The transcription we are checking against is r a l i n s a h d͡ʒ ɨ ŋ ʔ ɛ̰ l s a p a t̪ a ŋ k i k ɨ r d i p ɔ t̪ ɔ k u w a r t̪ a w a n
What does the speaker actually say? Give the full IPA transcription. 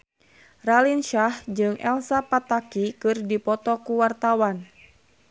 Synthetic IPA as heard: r a l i n ʃ a h d͡ʒ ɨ ŋ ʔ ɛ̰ l s a p a t̪ a k i k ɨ r d i p ɔ t̪ ɔ k u w a r t̪ a w a n

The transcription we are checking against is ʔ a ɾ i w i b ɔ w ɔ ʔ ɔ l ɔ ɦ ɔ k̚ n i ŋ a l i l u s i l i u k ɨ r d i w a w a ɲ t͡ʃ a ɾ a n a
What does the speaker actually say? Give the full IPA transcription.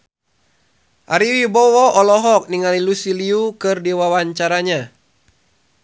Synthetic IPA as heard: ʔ a ɾ i w i b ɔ w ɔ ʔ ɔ l ɔ ɦ ɔ k̚ n i ŋ a l i l u s i l i u k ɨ r d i w a w a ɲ t͡ʃ a ɾ a ɲ a

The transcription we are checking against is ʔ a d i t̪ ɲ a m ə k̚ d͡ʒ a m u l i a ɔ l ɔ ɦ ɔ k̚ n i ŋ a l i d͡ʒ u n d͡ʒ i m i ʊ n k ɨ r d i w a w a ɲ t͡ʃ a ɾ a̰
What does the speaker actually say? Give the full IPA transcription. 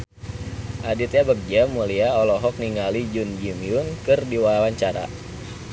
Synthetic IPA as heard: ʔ a d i t̪ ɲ a b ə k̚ d͡ʒ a m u l i a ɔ l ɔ ɦ ɔ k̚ n i ŋ a l i d͡ʒ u n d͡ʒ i m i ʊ n k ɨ r d i w a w a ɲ t͡ʃ a ɾ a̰

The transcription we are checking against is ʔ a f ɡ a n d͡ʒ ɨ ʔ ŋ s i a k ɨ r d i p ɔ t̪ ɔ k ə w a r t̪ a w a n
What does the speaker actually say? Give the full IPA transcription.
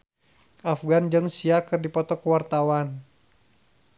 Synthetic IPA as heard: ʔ a f ɡ a n d͡ʒ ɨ ŋ s i a k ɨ r d i p ɔ t̪ ɔ k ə w a r t̪ a w a n

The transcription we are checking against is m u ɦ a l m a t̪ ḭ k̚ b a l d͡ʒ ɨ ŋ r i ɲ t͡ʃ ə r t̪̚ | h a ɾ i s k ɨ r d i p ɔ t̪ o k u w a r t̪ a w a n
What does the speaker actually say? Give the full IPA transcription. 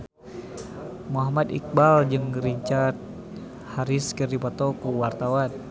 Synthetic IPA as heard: m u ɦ a m a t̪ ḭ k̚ b a l d͡ʒ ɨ ŋ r i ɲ t͡ʃ a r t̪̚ | h a ɾ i s k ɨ r d i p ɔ t̪ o k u w a r t̪ a w a n

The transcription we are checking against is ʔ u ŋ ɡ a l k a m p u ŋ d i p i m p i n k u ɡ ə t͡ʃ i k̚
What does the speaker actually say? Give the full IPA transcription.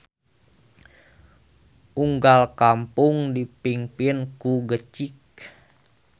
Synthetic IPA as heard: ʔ u ŋ ɡ a l k a m p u ŋ d i p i ŋ p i n k u ɡ ə t͡ʃ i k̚

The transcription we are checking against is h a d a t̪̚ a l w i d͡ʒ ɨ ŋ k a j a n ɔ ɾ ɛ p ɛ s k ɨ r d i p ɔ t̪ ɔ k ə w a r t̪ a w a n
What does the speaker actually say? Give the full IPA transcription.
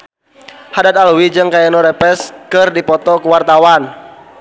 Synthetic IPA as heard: h a d a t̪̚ a l w i d͡ʒ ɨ ŋ k a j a n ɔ ɾ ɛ p ɛ s k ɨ r d i p ɔ t̪ ɔ k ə w a r t̪ a w a n

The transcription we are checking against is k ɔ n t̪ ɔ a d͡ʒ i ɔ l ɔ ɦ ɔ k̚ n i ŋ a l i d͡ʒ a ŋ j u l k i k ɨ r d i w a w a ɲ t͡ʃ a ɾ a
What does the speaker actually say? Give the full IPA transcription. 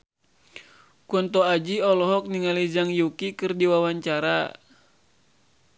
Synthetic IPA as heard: k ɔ n t̪ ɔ a d͡ʒ i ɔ l ɔ ɦ ɔ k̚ n i ŋ a l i d͡ʒ a ŋ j u k i k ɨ r d i w a w a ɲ t͡ʃ a ɾ a

